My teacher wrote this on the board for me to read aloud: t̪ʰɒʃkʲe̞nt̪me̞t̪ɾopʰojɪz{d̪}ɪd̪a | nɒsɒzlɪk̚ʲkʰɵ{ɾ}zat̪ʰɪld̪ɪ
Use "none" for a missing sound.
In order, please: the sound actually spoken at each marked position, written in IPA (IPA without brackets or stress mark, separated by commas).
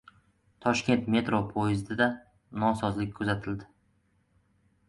d̪, none